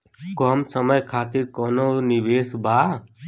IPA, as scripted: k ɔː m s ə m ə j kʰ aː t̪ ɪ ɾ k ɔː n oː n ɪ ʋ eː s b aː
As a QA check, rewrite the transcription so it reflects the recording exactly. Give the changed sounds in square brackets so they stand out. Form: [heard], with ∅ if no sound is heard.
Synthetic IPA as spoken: k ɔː m s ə m ə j kʰ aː t̪ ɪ ɾ k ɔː n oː n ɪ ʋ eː s b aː

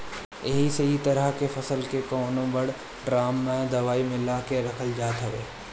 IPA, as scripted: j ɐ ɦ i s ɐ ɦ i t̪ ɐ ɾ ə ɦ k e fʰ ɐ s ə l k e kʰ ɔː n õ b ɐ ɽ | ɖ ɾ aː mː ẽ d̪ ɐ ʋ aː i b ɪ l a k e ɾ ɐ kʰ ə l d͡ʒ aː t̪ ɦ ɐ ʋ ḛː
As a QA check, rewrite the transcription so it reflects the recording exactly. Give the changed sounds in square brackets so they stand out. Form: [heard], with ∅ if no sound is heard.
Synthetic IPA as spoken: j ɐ ɦ i s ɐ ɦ i t̪ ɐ ɾ ə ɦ k e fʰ ɐ s ə l k e [k] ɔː n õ b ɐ ɽ | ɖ ɾ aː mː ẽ d̪ ɐ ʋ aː i [m] ɪ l a k e ɾ ɐ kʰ ə l d͡ʒ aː t̪ ɦ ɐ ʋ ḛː

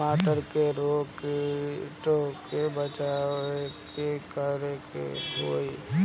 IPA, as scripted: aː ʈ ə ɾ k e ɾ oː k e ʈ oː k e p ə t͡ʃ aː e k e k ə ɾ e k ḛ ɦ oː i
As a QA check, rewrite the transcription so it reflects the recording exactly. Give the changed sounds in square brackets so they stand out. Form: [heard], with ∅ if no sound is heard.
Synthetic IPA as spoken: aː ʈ ə ɾ k e ɾ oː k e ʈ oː k e [b] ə t͡ʃ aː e k e k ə ɾ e k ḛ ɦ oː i

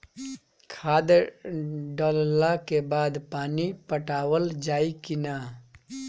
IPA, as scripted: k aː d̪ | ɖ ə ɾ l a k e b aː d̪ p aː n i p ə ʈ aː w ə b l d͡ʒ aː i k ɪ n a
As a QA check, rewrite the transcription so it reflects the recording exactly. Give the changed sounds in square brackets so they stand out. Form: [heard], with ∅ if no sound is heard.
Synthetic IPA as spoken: [kʰ] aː d̪ | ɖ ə [l] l a k e b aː d̪ p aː n i p ə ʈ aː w ə [∅] l d͡ʒ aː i k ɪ n a

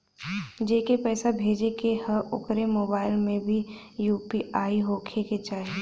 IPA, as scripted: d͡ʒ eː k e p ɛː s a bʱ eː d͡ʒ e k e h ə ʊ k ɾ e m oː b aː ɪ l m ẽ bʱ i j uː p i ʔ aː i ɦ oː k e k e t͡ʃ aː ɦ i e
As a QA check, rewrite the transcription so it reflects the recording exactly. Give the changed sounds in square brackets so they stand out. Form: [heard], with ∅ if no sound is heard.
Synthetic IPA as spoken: d͡ʒ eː k e p ɛː s a bʱ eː d͡ʒ e k e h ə ʊ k ɾ e m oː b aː ɪ l m ẽ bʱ i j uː p i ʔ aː i ɦ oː [kʰ] e k e t͡ʃ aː ɦ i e

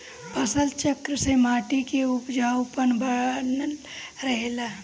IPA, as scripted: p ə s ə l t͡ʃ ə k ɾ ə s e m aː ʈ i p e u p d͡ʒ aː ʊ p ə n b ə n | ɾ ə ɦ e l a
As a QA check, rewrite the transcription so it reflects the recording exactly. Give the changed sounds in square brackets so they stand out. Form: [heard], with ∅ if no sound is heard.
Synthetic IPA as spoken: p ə s ə l t͡ʃ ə k ɾ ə s e m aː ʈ i [k] e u p d͡ʒ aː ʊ p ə n b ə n | ɾ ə ɦ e l a

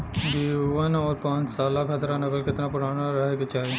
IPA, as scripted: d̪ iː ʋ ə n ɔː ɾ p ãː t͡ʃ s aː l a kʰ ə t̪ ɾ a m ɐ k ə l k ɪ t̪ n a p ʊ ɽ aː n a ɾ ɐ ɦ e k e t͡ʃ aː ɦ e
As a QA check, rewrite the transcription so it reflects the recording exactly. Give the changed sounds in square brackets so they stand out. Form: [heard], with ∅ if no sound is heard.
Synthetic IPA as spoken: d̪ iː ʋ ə n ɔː ɾ p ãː t͡ʃ s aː l a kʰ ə t̪ ɾ a [n] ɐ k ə l k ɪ t̪ n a p ʊ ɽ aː n a ɾ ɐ ɦ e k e t͡ʃ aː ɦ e

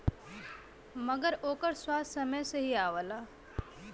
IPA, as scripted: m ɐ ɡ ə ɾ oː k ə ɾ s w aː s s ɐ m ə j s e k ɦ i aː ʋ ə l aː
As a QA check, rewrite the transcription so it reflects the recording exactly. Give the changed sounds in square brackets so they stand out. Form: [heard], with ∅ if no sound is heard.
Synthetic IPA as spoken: m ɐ ɡ ə ɾ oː k ə ɾ s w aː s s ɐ m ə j s e [∅] ɦ i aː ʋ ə l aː

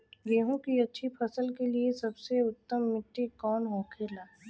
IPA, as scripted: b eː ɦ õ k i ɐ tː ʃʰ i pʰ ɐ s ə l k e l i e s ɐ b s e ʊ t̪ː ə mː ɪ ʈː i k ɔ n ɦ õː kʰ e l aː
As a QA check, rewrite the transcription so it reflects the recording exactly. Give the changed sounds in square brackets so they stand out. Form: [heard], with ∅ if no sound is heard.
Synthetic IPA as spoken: [ɡ] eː ɦ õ k i ɐ tː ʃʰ i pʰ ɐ s ə l k e l i e s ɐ b s e ʊ t̪ː ə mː ɪ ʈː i k [ɔː] n ɦ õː kʰ e l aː

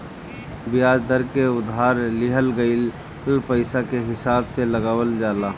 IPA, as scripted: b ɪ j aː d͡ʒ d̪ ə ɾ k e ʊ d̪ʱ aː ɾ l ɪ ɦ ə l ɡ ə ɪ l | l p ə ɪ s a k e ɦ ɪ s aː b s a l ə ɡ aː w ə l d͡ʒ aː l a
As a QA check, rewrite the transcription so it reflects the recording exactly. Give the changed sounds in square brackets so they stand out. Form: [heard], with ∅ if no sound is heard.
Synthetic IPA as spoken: b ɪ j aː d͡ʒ d̪ ə ɾ k e ʊ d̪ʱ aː ɾ l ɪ ɦ ə l ɡ ə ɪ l | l p ə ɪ s a k e ɦ ɪ s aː b s [e] l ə ɡ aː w ə l d͡ʒ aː l a

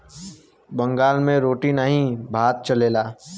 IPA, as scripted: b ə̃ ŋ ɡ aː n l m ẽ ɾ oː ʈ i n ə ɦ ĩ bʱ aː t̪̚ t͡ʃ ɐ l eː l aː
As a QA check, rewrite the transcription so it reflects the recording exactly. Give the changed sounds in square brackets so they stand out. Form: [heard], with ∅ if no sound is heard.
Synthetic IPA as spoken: b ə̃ ŋ ɡ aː [∅] l m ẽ ɾ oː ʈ i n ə ɦ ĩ bʱ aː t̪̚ t͡ʃ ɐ l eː l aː

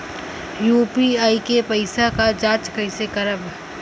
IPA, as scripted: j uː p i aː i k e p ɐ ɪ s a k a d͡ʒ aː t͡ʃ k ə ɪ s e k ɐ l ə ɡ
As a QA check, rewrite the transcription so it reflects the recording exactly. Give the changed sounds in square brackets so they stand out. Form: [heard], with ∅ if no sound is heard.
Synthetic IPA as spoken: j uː p i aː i k e p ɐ ɪ s a k a d͡ʒ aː t͡ʃ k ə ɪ s e k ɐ [ɾ] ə [b]

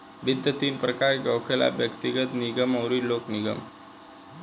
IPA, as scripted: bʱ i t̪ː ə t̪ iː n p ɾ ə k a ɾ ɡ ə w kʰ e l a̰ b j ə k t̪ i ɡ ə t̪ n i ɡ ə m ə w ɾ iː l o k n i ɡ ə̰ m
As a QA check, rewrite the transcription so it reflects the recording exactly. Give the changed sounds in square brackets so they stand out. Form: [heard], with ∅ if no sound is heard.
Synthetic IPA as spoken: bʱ i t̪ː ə t̪ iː n p ɾ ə k a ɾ ɡ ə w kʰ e l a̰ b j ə k t̪ i ɡ ə t̪ n i ɡ ə m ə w ɾ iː l o k n i ɡ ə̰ m

